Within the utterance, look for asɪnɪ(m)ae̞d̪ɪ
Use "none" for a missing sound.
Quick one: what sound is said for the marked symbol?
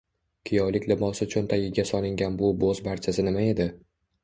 m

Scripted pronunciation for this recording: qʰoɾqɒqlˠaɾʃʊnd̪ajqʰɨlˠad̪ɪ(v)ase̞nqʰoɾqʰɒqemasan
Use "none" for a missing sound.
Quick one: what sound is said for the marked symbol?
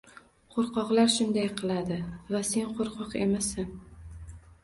v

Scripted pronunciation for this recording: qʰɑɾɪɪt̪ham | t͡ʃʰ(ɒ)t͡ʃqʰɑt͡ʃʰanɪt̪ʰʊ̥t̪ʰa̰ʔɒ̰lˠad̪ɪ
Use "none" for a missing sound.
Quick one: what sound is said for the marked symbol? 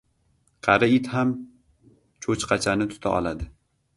o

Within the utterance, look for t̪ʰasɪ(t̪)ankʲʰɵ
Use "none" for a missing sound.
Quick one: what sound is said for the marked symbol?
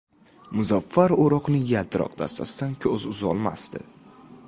d̪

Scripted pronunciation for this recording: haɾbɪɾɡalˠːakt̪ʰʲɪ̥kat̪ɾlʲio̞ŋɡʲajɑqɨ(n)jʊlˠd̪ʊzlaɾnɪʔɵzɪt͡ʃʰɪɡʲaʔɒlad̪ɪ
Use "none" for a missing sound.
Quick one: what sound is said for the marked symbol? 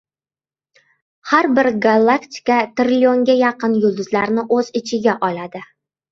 n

